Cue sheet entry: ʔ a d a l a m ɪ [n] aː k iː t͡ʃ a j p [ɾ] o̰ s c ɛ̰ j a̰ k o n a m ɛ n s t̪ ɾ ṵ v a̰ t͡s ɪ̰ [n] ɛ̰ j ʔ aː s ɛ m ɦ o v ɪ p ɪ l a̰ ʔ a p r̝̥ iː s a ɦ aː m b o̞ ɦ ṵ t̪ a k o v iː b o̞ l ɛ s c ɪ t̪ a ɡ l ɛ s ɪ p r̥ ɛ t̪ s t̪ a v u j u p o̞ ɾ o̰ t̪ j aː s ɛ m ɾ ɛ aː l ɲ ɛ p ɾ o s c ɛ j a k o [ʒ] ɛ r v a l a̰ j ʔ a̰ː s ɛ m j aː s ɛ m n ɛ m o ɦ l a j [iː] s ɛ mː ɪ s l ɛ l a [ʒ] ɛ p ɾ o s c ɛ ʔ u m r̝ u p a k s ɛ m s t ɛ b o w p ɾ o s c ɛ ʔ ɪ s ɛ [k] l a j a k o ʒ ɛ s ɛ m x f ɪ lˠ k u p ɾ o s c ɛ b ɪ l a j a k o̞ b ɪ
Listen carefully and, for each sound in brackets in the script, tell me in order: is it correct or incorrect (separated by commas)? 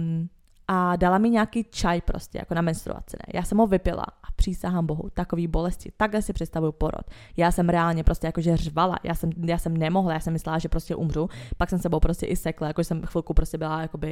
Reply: incorrect, correct, correct, correct, incorrect, correct, correct